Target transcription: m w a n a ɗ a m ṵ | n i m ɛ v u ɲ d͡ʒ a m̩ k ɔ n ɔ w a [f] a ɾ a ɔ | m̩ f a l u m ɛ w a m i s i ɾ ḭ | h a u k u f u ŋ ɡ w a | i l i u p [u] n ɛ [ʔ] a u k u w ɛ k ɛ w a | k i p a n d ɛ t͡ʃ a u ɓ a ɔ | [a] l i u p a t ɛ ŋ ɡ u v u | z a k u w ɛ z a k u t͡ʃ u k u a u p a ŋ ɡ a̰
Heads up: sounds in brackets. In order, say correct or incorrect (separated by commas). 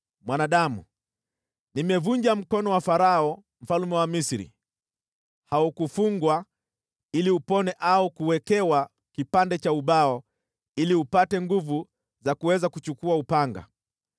correct, incorrect, correct, incorrect